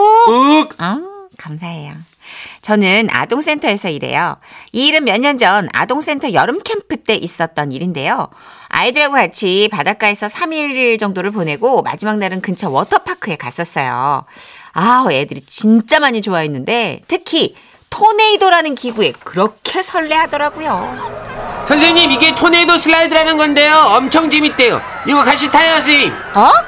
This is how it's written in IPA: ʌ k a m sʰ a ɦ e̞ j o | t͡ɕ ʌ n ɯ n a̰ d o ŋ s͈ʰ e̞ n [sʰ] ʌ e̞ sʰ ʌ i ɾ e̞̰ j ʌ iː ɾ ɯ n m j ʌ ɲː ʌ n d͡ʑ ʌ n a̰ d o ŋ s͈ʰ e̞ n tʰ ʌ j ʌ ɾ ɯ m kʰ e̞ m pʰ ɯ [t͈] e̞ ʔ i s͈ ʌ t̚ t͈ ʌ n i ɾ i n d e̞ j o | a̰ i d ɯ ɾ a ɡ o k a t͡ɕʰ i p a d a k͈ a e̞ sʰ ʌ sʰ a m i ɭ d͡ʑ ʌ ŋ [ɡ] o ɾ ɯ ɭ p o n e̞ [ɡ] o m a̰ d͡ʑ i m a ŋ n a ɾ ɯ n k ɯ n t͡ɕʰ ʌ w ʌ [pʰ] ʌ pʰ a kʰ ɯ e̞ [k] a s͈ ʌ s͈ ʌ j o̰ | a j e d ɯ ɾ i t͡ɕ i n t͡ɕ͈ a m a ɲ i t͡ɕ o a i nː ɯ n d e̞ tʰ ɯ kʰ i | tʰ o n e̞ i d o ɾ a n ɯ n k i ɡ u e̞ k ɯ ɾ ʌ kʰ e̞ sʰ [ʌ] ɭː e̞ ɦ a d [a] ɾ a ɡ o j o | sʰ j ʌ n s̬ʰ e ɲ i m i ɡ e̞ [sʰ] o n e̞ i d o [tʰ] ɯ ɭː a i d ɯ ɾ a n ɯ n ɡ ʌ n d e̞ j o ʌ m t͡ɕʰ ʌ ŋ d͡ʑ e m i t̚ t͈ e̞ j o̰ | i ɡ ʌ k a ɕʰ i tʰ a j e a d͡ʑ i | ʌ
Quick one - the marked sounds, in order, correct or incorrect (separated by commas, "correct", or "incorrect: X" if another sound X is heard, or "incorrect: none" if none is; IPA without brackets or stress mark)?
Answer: incorrect: tʰ, correct, incorrect: d, correct, incorrect: tʰ, correct, correct, incorrect: ʌ, incorrect: tʰ, incorrect: sʰ